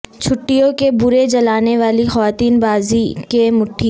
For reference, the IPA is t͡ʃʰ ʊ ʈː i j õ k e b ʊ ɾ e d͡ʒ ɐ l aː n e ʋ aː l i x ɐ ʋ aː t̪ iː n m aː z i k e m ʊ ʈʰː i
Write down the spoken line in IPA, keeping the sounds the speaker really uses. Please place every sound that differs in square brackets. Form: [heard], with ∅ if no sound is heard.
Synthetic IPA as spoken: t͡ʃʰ ʊ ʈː i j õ k e b ʊ ɾ e d͡ʒ ɐ l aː n e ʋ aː l i x ɐ ʋ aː t̪ iː n [b] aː z i k e m ʊ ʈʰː i

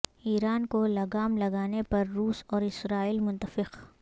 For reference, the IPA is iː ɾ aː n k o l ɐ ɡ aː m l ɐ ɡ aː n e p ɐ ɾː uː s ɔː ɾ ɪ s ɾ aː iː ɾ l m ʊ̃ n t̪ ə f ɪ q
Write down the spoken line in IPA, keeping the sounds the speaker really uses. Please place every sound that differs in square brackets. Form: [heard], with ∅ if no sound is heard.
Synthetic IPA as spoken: iː ɾ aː n k o l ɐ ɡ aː m l ɐ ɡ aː n e p ɐ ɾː uː s ɔː ɾ ɪ s ɾ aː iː [∅] l m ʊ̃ n t̪ ə f ɪ q

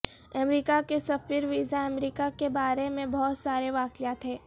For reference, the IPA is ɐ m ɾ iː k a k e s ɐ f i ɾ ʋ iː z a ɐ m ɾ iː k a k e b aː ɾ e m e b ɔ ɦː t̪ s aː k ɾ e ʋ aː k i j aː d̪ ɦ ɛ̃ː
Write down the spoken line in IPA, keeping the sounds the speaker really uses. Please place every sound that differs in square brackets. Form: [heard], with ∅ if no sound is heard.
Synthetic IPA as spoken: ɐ m ɾ iː k a k e s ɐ f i ɾ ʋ iː z a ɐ m ɾ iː k a k e b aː ɾ e m [ẽ] b ɔ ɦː t̪ s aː [∅] ɾ e ʋ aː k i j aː [t̪] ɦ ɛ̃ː

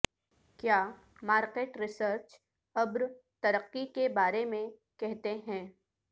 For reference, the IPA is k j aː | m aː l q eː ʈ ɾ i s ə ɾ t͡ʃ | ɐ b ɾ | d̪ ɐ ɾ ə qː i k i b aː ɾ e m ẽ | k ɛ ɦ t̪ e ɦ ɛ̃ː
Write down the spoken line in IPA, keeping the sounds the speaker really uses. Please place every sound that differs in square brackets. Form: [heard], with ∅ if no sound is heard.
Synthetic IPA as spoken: k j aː | m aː [ɾ] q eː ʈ ɾ [ɪ] s ə ɾ t͡ʃ | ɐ b ɾ | [t̪] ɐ ɾ ə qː i k [e] b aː ɾ e m ẽ | k ɛ ɦ t̪ e ɦ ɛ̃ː

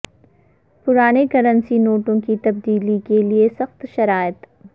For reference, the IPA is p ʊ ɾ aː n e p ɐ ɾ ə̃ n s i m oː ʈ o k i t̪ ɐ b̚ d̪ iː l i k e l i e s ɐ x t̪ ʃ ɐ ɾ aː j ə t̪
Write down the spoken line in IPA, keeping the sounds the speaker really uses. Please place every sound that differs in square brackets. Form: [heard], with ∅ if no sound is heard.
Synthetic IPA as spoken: p ʊ ɾ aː n e [k] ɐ ɾ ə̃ n s i [n] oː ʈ [õ] k i t̪ ɐ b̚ d̪ iː l i k e l i e s ɐ x t̪ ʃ ɐ ɾ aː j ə t̪

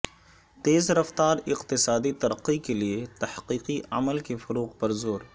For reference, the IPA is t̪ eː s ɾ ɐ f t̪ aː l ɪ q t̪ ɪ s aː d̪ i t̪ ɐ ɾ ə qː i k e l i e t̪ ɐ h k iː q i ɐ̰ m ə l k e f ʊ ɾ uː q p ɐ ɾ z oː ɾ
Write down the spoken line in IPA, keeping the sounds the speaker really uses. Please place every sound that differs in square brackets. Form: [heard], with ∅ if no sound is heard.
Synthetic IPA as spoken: t̪ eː [z] ɾ ɐ f t̪ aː [ɾ] ɪ q t̪ ɪ s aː d̪ i t̪ ɐ ɾ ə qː i k e l i e t̪ ɐ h [q] iː q i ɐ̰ m ə l k e f ʊ ɾ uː q p ɐ ɾ z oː ɾ

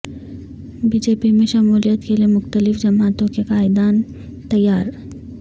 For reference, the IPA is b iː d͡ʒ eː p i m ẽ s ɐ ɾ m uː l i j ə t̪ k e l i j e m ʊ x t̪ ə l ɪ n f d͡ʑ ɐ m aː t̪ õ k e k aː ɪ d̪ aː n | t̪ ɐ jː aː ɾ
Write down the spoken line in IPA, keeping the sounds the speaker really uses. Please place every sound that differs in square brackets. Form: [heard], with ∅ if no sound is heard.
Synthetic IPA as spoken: b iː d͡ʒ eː p i m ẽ [ʃ] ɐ [∅] m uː l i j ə t̪ k e l i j e m ʊ x t̪ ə l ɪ [∅] f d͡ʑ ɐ m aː t̪ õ k e k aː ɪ d̪ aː n | t̪ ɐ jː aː ɾ

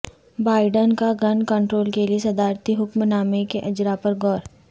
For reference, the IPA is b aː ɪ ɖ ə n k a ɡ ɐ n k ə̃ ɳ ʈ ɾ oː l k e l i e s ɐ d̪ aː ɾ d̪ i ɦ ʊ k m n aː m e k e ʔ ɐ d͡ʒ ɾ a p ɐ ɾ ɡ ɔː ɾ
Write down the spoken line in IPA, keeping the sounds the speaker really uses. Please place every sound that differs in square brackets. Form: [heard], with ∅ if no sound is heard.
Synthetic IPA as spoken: b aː ɪ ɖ ə n k a ɡ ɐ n k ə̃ ɳ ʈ ɾ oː l k e l i e s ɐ d̪ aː ɾ [t̪] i ɦ ʊ k m n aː m e k e ʔ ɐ d͡ʒ ɾ a p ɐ ɾ ɡ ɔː ɾ

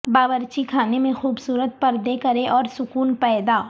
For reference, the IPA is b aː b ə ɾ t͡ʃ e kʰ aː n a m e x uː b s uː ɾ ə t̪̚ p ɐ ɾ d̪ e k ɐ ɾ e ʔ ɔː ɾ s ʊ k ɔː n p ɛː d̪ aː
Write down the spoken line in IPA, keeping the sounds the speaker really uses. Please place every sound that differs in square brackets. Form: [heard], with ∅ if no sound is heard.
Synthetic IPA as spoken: b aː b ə ɾ t͡ʃ [i] kʰ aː n [e] m [ẽ] x uː b s uː ɾ ə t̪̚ p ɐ ɾ d̪ e k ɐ ɾ e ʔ ɔː ɾ s ʊ k [uː] n p ɛː d̪ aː

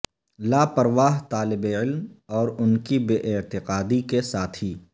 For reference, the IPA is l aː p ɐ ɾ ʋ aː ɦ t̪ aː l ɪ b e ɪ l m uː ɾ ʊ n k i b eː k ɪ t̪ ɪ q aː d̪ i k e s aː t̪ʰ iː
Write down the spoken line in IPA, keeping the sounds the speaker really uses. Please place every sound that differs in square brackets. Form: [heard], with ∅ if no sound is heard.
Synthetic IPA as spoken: l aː p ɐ ɾ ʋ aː ɦ t̪ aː l ɪ b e ɪ l m [ɔː] ɾ ʊ n k i b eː [ʔ] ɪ t̪ ɪ q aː d̪ i k e s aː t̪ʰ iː

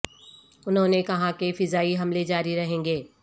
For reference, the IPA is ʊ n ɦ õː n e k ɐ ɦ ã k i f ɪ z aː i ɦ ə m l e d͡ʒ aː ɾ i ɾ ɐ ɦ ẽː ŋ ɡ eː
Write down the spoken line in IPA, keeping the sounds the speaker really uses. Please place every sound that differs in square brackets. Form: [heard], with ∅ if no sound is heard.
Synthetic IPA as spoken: ʊ n ɦ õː n e k ɐ ɦ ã k [e] f ɪ z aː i ɦ [ɐ] m l e d͡ʒ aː ɾ i ɾ ɐ ɦ ẽː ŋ ɡ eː

